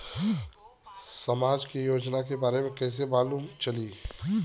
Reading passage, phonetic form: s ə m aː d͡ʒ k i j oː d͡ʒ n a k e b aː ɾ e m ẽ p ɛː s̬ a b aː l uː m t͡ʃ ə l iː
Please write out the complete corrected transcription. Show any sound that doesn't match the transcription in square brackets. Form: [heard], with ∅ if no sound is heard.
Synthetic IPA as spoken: s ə m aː d͡ʒ k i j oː d͡ʒ n a k e b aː ɾ e m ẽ [k] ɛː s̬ [e] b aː l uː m t͡ʃ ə l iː